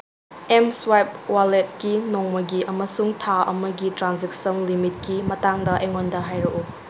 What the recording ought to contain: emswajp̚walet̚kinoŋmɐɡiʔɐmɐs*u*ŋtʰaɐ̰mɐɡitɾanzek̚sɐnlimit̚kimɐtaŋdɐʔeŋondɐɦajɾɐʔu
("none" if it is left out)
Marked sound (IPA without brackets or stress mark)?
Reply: u